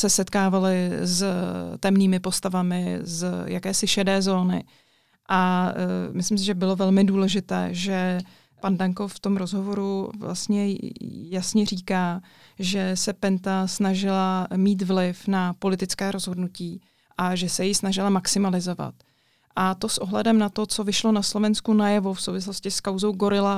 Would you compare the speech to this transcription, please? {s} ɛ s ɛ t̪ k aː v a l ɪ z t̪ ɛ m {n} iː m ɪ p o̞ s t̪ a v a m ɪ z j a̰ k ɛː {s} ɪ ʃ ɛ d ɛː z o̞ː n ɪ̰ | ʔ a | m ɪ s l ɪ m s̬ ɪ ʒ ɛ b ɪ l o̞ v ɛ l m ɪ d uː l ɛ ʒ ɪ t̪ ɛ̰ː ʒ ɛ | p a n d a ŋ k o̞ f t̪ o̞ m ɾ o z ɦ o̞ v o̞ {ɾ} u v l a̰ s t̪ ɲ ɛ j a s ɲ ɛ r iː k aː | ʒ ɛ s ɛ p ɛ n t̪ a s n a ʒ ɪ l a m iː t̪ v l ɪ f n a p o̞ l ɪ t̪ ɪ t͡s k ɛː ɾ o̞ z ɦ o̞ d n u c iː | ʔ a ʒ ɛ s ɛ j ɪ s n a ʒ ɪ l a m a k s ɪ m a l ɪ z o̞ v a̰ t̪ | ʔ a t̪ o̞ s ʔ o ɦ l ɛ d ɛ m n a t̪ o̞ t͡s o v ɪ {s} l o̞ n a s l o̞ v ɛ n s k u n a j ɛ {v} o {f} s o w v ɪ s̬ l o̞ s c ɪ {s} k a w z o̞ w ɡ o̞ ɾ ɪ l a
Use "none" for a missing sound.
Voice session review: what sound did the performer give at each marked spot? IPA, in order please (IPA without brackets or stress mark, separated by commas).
s, n, s, ɾ, ʃ, v, f, s